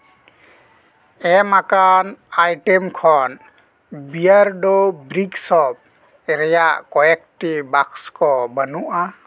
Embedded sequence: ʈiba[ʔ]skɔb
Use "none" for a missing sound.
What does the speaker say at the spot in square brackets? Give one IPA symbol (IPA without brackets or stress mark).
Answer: k